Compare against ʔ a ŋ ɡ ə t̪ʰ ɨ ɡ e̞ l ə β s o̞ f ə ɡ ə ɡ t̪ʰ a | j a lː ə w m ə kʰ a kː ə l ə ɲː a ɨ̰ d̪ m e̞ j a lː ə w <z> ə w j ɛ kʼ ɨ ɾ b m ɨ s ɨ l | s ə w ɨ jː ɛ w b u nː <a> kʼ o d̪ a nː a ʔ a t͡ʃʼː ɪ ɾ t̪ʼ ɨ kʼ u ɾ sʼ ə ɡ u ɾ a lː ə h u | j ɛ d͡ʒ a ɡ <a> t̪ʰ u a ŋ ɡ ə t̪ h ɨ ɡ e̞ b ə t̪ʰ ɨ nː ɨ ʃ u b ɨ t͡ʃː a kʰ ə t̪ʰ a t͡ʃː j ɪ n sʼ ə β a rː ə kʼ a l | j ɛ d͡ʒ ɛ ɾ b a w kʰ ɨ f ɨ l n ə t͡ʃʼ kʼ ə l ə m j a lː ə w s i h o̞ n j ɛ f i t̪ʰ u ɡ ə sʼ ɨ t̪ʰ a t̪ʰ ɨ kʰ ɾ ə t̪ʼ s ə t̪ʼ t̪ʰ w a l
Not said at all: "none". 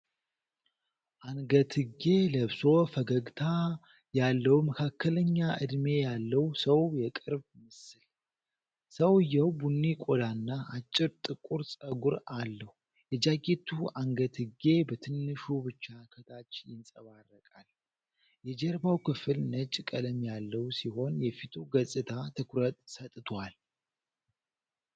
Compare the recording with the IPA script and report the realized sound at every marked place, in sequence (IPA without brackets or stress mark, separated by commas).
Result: s, i, e